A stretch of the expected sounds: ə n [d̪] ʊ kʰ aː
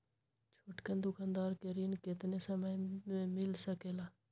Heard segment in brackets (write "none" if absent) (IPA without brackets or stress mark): d̪